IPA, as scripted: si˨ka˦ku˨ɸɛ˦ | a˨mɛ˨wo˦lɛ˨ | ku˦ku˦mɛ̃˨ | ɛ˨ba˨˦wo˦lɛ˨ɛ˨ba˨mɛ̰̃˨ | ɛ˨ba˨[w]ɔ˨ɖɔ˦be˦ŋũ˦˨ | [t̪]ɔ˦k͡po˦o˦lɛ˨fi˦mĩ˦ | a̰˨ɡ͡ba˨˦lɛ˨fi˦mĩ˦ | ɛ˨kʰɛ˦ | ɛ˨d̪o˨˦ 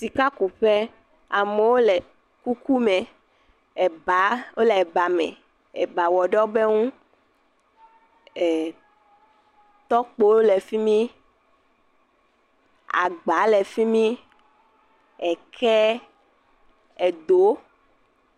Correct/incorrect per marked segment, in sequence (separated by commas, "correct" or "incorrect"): correct, correct